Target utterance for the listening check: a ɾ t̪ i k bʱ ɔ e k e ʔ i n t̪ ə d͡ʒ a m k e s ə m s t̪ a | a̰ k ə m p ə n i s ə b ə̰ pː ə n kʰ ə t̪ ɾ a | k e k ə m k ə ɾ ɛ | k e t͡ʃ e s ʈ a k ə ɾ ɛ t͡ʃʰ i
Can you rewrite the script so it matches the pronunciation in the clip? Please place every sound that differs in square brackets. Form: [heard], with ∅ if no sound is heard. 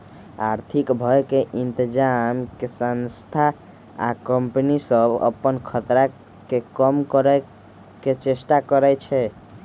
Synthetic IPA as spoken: a ɾ [t̪ʰ] i k bʱ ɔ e k e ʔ i n t̪ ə d͡ʒ a m k e s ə [n] s [t̪ʰ] a | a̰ k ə m p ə n i s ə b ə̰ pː ə n kʰ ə t̪ ɾ a | k e k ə m k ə ɾ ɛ | k e t͡ʃ e s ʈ a k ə ɾ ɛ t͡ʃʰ [ɛ]